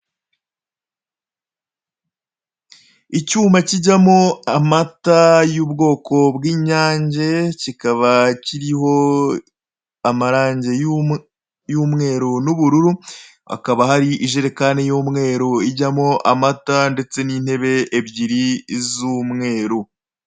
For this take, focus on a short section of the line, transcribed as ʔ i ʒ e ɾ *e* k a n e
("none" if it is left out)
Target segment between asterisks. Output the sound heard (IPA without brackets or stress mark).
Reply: e